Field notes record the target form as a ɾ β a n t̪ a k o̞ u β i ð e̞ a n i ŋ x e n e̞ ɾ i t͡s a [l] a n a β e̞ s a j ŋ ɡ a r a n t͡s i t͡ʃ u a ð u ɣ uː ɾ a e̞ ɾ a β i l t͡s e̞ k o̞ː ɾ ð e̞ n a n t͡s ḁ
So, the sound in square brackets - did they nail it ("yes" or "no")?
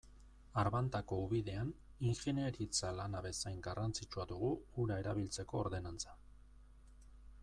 yes